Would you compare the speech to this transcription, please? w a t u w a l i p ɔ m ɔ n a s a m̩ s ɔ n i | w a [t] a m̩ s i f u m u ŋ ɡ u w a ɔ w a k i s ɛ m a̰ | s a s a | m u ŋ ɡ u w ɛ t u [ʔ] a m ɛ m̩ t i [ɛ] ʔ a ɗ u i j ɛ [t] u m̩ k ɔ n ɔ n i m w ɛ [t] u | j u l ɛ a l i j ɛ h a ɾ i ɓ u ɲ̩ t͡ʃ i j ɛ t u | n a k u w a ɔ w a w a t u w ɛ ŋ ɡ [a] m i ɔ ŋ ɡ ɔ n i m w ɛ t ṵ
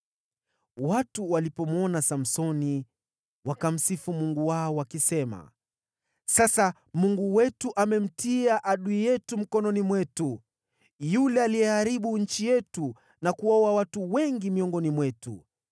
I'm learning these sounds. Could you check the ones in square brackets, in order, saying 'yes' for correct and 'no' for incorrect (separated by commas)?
no, yes, no, yes, yes, no